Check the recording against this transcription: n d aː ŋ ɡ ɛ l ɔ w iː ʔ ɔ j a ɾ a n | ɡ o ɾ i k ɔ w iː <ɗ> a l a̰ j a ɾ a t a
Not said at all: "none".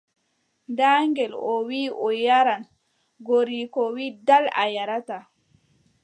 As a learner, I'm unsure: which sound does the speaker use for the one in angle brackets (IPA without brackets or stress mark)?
d